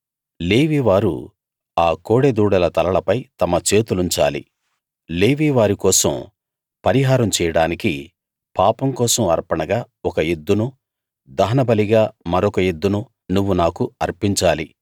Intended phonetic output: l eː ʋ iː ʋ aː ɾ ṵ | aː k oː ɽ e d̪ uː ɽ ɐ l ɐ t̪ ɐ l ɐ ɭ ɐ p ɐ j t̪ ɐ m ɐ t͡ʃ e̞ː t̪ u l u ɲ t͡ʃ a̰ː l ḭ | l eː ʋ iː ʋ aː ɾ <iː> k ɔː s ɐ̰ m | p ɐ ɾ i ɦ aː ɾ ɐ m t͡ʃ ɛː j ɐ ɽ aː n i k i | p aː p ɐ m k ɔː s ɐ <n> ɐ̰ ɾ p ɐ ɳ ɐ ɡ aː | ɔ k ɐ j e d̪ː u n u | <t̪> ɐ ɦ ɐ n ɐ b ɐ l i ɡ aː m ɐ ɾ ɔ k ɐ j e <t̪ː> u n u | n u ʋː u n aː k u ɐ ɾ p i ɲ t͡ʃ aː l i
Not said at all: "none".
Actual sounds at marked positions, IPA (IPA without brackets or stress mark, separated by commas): i, m, d̪, d̪ː